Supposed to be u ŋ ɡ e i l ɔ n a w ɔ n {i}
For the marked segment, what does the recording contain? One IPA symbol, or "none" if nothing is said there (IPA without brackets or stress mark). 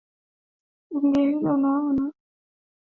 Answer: a